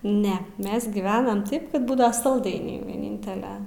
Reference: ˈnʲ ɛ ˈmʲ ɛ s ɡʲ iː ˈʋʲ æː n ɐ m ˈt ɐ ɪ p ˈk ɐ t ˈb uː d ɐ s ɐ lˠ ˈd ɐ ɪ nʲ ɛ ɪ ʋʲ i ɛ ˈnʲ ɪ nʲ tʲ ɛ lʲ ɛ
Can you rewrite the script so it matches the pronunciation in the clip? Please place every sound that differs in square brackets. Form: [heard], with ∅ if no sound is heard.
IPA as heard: ˈnʲ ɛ ˈmʲ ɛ s ɡʲ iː ˈʋʲ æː n ɐ m ˈt ɐ ɪ p ˈk ɐ t ˈb uː d ɐ s ɐ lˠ ˈd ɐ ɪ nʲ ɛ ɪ ʋʲ i ɛ ˈnʲ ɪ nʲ tʲ ɛ lʲ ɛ